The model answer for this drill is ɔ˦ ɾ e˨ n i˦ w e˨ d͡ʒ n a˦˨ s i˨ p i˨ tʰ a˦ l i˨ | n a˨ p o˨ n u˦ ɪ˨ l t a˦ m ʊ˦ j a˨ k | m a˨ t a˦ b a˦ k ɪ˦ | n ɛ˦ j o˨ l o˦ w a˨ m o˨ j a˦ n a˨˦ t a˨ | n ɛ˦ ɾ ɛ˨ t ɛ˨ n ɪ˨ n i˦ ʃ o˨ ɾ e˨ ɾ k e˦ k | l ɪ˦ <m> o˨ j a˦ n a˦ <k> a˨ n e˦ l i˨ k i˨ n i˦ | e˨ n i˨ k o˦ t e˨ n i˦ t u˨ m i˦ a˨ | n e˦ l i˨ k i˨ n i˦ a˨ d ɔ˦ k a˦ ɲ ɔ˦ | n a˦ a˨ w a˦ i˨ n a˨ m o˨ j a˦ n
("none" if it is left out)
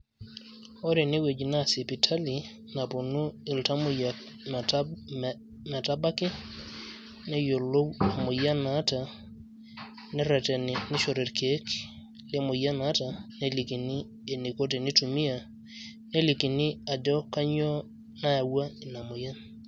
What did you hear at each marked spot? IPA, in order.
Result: m, t

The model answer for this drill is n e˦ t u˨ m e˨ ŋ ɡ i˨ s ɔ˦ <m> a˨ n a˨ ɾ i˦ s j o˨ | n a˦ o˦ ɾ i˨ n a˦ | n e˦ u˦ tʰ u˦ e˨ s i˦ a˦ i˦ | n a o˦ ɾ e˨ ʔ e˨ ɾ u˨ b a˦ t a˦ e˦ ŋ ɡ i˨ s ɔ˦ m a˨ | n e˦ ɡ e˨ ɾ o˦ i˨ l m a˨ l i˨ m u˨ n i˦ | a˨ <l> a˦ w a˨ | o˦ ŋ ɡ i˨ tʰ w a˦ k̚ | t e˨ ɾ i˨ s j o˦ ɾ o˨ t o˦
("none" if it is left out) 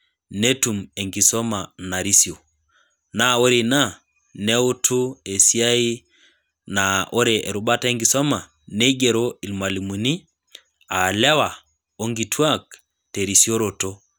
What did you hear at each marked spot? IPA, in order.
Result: m, l

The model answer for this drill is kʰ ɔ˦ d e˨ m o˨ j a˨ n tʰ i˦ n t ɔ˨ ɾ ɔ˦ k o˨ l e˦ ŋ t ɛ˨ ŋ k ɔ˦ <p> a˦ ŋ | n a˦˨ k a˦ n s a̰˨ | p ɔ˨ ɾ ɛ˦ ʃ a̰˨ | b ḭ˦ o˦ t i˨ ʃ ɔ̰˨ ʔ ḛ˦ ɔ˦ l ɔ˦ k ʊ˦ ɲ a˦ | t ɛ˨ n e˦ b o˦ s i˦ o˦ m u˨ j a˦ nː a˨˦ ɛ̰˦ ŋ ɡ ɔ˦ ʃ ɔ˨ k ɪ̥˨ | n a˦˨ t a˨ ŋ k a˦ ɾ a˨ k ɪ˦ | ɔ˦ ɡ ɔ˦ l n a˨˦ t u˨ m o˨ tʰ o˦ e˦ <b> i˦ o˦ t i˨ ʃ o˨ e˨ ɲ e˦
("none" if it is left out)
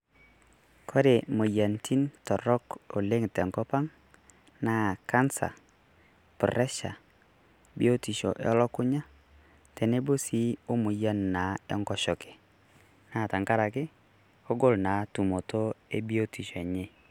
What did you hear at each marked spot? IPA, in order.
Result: p, b

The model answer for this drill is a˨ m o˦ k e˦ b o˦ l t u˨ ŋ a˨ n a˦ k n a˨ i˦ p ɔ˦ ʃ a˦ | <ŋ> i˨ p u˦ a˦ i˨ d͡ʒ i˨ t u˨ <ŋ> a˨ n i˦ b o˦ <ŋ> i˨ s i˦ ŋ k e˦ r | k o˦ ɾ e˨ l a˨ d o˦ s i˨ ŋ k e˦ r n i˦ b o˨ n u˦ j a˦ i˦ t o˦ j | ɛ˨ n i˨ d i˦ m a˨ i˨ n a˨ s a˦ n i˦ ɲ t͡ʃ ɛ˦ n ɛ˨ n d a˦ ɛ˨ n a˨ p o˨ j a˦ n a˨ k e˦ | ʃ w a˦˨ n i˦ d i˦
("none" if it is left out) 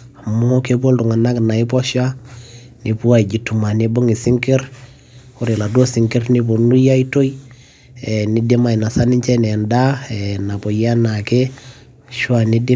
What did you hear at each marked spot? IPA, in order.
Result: n, m, ŋ

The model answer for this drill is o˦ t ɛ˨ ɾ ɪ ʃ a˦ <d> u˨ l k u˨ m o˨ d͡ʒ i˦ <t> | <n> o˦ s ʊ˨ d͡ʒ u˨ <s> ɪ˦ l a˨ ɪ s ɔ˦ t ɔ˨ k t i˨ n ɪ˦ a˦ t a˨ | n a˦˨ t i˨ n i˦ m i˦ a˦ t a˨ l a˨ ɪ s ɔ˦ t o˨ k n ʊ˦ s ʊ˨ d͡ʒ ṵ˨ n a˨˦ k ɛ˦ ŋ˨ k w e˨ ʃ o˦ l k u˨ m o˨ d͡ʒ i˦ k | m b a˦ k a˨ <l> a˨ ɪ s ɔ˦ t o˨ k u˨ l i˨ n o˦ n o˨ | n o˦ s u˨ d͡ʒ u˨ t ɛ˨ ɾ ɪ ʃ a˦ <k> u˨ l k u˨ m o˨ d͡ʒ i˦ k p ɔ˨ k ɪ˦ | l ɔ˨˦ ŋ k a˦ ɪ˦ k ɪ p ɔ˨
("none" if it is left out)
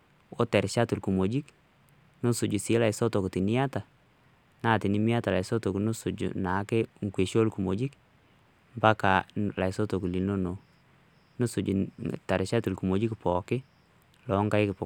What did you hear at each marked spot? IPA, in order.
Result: t, k, n, s, l, t

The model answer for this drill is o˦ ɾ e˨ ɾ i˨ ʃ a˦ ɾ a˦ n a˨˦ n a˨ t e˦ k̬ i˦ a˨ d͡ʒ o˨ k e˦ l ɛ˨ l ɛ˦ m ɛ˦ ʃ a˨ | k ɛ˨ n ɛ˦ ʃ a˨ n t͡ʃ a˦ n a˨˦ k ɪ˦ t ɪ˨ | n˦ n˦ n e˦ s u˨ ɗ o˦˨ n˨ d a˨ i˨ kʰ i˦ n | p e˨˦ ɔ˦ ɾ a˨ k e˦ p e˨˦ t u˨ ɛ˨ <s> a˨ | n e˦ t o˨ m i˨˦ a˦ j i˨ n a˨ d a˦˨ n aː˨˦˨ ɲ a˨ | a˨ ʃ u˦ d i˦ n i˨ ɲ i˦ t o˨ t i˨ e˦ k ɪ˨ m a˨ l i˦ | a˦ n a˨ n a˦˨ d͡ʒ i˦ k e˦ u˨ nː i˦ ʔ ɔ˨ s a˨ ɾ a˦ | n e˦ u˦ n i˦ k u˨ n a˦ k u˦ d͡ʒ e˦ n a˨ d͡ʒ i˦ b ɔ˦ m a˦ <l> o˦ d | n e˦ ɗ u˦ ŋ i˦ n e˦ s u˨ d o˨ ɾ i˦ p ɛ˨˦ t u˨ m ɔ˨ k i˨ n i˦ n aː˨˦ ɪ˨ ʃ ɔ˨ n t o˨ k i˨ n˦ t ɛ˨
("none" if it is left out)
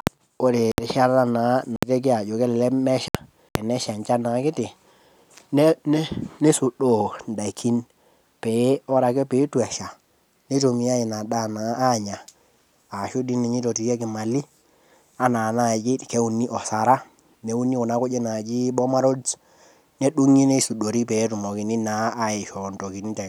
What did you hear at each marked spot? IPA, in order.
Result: ʃ, ɾ

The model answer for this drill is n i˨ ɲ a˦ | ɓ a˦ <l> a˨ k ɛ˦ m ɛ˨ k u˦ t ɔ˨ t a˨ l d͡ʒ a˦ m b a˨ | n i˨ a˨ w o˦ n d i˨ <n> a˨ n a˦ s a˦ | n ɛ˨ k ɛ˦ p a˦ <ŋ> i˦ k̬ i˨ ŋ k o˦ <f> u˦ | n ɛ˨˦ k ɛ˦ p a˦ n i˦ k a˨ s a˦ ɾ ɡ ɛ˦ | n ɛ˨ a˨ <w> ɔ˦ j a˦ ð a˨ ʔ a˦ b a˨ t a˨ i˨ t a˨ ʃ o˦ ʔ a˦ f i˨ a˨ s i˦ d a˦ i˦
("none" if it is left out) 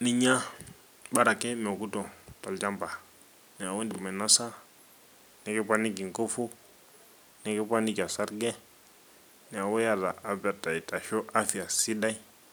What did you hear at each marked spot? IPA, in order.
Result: ɾ, m, n, f, w

